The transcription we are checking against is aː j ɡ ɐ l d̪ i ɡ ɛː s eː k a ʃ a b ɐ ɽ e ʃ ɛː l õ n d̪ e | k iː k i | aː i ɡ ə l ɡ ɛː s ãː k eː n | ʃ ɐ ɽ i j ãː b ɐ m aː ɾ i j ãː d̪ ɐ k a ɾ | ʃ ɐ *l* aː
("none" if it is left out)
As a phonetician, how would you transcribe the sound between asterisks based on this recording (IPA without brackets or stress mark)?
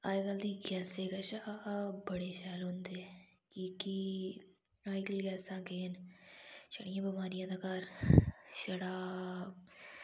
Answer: ɽ